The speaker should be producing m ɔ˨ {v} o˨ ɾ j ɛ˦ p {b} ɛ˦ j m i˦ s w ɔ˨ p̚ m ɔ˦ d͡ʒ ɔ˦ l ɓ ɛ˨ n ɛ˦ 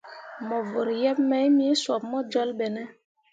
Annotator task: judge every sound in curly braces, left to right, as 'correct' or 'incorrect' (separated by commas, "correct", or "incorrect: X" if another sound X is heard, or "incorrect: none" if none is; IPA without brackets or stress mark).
correct, incorrect: m